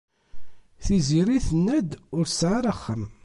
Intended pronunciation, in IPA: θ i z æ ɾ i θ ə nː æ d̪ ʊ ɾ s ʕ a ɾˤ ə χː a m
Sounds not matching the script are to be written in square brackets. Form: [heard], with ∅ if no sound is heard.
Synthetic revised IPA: θ i z [i] ɾ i θ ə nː æ d̪ ʊ ɾ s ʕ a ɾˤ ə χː [ə] m